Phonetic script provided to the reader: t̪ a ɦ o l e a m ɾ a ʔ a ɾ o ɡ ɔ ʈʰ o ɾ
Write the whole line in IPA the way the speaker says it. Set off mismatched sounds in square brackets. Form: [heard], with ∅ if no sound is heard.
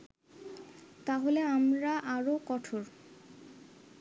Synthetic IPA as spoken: t̪ a ɦ o l e a m ɾ a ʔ a ɾ o [k] ɔ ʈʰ o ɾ